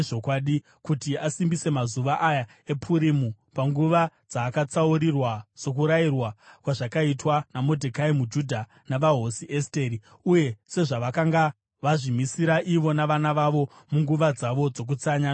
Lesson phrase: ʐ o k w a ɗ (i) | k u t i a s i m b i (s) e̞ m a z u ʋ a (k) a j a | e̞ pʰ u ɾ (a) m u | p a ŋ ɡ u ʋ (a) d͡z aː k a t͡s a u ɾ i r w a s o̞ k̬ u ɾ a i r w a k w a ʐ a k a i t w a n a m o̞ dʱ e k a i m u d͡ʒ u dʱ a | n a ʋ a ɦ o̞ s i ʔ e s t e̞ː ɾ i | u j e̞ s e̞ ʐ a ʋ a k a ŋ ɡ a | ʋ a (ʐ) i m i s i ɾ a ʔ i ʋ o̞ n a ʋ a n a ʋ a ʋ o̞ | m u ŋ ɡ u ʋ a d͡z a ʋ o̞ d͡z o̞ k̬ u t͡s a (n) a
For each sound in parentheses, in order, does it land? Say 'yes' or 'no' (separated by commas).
yes, yes, no, no, yes, yes, no